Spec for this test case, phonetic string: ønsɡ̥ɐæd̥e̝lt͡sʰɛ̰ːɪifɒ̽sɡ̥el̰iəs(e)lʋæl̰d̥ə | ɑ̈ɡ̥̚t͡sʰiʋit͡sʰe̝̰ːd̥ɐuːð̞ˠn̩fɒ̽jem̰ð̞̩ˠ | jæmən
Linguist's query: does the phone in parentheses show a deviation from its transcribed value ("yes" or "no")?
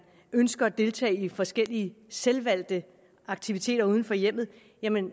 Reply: no